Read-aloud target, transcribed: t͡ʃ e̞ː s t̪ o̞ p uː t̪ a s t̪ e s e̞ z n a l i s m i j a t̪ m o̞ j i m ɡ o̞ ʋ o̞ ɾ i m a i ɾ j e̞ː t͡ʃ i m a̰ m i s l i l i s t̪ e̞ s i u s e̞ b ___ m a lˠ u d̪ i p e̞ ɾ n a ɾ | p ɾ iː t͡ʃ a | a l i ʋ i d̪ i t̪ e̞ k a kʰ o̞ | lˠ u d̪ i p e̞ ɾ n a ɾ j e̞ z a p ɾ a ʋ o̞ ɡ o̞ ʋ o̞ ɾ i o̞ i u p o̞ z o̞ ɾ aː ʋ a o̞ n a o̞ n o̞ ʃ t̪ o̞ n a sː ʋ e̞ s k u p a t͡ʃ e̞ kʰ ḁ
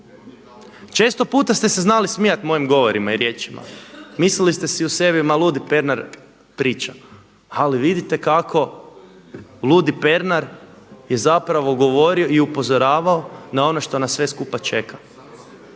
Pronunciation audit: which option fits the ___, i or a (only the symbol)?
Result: i